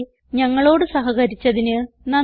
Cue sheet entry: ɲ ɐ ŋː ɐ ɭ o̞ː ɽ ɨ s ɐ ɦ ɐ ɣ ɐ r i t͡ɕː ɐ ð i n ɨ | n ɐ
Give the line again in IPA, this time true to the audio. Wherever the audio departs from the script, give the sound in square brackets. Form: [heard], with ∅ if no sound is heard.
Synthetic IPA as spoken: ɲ ɐ ŋː ɐ ɭ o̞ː ɽ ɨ s ɐ ɦ ɐ ɣ ɐ [ɾ] i t͡ɕː ɐ ð i n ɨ | n ɐ